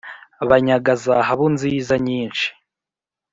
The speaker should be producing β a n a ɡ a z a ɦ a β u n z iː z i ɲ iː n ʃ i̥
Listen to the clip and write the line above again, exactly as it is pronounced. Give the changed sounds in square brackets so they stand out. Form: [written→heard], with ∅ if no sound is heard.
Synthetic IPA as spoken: β a [n→ɲ] a ɡ a z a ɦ a β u n z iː z [i→a] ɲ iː n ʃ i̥